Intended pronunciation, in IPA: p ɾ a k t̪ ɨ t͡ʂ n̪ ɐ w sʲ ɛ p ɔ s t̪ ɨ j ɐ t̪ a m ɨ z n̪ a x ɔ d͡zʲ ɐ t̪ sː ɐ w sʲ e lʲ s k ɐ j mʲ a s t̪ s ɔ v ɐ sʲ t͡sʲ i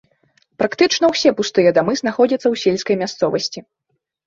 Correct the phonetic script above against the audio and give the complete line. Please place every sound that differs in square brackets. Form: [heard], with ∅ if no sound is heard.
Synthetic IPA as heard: p ɾ a k t̪ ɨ t͡ʂ n̪ ɐ w sʲ ɛ p [u] s t̪ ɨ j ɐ [d̪] a m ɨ z n̪ a x ɔ d͡zʲ ɐ t̪ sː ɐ w sʲ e lʲ s k ɐ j mʲ a s t̪ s ɔ v ɐ sʲ t͡sʲ i